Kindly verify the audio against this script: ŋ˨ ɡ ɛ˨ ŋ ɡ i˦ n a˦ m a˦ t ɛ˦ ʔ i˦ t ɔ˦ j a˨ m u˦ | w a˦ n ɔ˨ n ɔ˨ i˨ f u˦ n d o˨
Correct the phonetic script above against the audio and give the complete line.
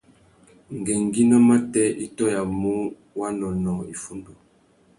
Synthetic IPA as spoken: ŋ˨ ɡ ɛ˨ ŋ ɡ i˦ n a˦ m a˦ t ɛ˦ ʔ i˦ t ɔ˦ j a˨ m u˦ | w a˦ n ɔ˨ n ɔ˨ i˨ f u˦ n d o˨